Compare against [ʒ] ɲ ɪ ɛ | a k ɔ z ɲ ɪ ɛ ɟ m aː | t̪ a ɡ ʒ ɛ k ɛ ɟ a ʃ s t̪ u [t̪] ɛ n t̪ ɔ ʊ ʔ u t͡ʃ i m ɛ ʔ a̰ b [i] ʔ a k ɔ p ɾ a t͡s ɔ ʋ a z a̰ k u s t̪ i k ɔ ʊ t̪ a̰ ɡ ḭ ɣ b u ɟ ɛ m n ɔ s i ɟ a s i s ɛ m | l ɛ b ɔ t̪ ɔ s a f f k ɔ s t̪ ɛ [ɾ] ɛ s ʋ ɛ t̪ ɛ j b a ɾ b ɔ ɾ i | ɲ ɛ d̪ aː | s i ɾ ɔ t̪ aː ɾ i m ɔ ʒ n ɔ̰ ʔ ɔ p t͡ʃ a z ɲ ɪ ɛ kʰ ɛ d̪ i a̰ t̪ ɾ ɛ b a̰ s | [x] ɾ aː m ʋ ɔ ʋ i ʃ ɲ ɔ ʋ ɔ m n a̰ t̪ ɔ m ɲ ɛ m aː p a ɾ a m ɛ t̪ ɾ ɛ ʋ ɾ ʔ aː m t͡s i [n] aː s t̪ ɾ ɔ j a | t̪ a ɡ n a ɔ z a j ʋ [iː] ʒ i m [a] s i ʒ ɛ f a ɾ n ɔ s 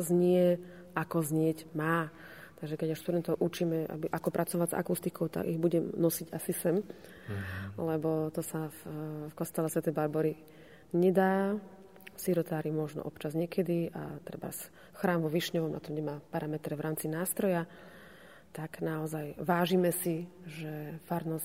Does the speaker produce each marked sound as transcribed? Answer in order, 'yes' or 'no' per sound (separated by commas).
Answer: no, no, yes, no, yes, yes, no, no